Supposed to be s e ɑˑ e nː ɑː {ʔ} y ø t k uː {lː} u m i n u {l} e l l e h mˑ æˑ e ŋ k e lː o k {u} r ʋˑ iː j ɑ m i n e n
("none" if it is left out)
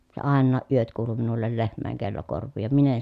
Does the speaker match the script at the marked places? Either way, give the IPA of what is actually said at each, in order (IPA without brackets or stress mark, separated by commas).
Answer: ʔ, l, lː, o